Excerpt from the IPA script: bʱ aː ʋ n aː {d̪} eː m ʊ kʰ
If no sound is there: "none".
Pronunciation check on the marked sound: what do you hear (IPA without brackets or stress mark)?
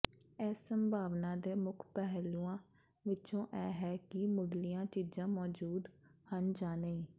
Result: d̪